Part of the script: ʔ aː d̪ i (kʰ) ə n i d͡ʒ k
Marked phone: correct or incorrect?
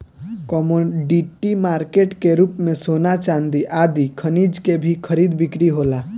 correct